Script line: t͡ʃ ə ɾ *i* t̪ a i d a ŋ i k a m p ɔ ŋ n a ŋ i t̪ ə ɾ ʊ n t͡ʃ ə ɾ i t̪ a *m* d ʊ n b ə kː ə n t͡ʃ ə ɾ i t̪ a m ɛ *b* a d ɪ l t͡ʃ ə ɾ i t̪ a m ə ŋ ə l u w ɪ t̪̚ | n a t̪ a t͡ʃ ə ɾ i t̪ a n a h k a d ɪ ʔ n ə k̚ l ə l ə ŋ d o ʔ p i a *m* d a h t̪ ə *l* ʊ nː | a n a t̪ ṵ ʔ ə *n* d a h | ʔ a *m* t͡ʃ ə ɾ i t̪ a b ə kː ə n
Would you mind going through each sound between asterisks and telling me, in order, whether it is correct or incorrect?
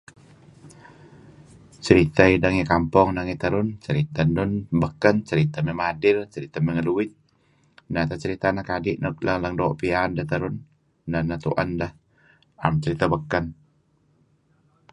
correct, incorrect, incorrect, incorrect, incorrect, correct, correct

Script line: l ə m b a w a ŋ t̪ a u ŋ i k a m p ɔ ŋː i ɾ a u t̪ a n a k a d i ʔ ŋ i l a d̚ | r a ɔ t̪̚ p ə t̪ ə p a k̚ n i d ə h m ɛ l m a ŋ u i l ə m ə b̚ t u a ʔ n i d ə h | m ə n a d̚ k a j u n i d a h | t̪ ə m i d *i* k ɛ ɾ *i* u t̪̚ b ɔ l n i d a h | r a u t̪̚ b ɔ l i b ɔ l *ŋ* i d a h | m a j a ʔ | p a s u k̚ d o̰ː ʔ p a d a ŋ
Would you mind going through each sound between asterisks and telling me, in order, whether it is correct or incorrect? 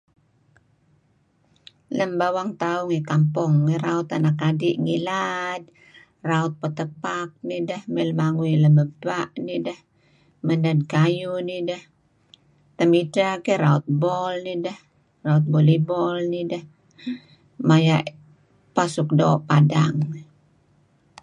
incorrect, incorrect, incorrect

